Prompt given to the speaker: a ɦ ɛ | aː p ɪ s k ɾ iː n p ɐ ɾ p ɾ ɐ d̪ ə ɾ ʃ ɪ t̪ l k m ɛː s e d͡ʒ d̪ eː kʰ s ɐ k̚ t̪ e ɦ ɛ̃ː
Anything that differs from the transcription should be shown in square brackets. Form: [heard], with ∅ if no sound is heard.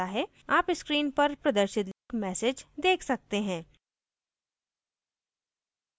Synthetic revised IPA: a ɦ ɛ | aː p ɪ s k ɾ iː n p ɐ ɾ p ɾ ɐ d̪ ə ɾ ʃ ɪ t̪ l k m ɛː s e d͡ʒ d̪ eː kʰ s ɐ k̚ t̪ e ɦ ɛ̃ː